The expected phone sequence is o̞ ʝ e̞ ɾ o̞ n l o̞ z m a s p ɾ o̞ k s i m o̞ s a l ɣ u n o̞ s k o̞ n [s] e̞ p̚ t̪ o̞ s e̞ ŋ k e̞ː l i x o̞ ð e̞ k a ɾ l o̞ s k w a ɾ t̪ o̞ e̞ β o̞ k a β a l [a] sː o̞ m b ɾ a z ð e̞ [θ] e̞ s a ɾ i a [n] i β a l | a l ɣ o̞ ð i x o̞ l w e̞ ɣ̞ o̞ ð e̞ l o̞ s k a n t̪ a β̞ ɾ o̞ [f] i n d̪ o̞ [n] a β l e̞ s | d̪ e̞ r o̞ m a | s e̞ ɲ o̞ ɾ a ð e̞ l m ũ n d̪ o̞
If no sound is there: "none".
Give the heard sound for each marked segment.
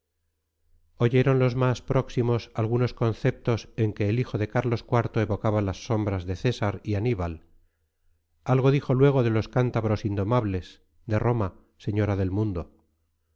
θ, a, θ, n, s, m

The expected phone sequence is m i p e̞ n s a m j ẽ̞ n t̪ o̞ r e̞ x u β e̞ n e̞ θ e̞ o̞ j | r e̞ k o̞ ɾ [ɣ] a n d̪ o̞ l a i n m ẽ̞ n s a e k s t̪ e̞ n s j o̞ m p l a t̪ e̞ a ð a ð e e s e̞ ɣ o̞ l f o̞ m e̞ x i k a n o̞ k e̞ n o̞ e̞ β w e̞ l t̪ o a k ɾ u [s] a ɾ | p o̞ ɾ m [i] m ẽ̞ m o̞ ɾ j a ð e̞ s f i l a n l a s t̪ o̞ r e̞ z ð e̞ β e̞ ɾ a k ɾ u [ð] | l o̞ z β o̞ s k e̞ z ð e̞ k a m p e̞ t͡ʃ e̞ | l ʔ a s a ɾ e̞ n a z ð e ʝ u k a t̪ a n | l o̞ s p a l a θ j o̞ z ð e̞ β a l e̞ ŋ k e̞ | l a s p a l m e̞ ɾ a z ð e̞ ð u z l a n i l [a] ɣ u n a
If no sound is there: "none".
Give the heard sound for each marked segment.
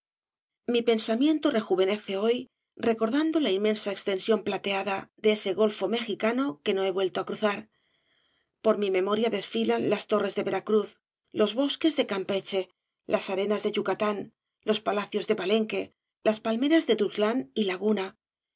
ð, θ, i, θ, a

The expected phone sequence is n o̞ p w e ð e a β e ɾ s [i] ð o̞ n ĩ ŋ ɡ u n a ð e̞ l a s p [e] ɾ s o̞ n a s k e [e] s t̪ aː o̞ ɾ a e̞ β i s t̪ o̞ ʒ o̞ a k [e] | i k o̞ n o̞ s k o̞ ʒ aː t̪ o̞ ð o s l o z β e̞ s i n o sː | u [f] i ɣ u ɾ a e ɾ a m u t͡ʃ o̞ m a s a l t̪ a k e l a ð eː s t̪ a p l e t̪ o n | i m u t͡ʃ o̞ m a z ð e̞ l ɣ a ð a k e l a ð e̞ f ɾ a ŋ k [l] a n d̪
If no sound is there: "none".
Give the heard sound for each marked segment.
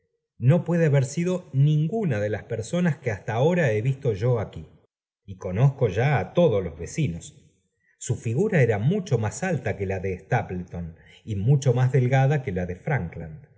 i, e, a, i, f, l

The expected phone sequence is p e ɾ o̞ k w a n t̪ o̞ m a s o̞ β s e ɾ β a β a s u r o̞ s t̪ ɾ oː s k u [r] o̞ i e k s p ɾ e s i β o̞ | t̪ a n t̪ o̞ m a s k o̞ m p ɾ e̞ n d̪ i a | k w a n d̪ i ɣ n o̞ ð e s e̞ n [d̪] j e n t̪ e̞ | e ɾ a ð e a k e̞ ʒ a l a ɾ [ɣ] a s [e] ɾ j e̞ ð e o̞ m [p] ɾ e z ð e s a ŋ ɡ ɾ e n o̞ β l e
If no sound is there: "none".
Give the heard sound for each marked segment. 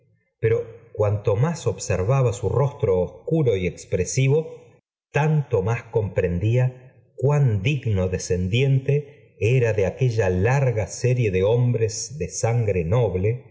ɾ, d̪, ɣ, e, b

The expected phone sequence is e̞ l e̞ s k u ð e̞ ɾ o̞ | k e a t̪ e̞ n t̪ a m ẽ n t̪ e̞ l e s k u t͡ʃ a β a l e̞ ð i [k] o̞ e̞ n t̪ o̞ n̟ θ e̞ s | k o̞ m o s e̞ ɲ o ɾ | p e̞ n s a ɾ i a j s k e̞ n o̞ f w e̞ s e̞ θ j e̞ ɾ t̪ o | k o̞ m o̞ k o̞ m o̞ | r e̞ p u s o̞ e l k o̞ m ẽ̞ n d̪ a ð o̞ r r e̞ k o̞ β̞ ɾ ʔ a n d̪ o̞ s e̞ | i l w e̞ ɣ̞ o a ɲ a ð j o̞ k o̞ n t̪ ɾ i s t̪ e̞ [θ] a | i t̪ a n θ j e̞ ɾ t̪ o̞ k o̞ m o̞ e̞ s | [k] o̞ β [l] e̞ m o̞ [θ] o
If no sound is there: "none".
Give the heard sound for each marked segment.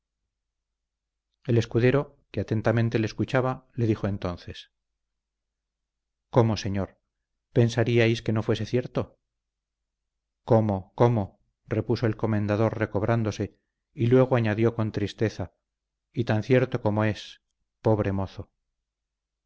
x, θ, p, ɾ, θ

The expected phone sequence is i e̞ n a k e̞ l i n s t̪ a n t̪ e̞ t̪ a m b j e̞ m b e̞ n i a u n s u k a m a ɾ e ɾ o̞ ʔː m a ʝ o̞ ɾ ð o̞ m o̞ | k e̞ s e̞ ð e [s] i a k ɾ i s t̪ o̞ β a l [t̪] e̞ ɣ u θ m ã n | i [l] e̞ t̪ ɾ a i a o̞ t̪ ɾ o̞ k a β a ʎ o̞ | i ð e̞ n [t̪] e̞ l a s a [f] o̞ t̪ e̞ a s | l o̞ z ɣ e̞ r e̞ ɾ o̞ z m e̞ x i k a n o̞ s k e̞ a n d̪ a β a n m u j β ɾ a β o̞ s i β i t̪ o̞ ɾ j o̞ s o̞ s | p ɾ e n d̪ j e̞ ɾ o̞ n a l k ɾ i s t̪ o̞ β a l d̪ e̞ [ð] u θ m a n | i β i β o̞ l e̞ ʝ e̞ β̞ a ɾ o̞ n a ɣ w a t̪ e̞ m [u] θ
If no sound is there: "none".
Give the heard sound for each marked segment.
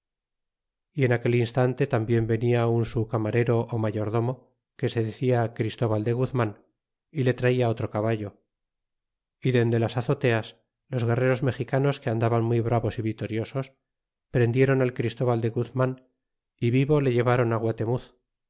θ, d̪, l, d̪, θ, ɣ, u

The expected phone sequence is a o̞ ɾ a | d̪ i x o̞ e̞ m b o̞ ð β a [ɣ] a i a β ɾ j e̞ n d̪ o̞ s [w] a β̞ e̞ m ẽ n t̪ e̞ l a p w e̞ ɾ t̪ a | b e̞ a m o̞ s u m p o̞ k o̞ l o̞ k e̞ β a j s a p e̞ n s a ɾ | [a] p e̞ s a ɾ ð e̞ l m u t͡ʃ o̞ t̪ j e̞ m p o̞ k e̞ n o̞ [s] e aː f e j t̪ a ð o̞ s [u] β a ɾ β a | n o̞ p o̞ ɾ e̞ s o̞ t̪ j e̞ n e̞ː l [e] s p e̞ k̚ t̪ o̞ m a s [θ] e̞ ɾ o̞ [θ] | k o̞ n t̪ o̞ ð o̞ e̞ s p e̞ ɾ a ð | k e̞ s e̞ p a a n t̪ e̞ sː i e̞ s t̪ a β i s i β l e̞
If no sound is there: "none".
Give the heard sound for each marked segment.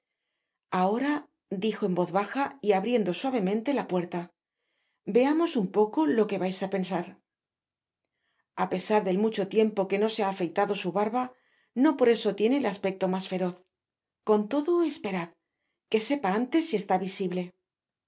x, w, a, s, u, a, f, θ

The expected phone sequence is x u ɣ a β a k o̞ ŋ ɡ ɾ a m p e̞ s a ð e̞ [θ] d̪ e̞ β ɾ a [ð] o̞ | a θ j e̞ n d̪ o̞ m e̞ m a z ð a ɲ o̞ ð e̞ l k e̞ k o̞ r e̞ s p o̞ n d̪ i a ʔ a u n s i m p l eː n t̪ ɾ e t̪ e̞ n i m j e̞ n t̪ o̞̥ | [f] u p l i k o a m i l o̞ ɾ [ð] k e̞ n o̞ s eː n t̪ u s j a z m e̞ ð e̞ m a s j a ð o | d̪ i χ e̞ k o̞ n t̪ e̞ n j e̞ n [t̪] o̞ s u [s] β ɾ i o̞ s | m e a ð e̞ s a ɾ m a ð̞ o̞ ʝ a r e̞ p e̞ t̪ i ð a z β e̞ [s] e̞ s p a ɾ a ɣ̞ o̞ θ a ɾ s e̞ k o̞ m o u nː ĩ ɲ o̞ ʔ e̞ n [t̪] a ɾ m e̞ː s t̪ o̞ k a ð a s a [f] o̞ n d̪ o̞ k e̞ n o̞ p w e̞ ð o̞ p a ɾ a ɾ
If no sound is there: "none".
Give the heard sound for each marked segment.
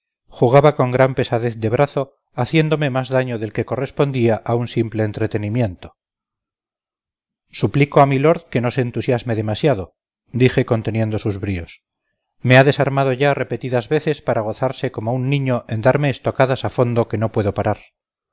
θ, θ, s, ð, d̪, z, θ, d̪, f

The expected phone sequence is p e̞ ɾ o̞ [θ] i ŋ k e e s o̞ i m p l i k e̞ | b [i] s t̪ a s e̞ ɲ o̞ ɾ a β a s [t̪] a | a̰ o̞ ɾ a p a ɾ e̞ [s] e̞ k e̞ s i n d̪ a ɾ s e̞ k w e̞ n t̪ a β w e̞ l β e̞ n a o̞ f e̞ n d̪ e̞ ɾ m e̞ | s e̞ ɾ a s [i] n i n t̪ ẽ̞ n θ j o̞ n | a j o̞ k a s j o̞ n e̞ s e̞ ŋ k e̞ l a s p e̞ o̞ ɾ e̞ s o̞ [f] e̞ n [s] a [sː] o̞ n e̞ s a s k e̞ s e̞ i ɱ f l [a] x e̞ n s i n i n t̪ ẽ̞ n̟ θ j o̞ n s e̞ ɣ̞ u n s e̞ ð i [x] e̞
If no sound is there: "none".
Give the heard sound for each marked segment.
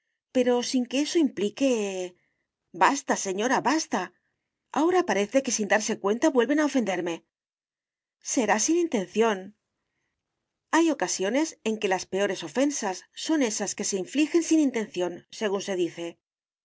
s, a, t̪, θ, i, f, s, sː, i, θ

